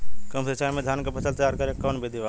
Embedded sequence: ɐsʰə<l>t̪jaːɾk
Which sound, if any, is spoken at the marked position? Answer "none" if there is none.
l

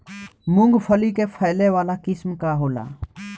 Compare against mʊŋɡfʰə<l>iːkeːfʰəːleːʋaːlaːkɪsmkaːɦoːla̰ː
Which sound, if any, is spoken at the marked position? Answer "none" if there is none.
l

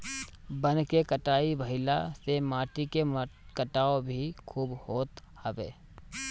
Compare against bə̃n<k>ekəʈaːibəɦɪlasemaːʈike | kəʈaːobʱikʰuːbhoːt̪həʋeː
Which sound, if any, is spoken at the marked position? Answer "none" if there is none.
k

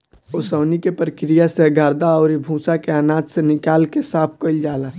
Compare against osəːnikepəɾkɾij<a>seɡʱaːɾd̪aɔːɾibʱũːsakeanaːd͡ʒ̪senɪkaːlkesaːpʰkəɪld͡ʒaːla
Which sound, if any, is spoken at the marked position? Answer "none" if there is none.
a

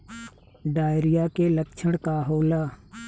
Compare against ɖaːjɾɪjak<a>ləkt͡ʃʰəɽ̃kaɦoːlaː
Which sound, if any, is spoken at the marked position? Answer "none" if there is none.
e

